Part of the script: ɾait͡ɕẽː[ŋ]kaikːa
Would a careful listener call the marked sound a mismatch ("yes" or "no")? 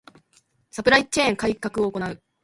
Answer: no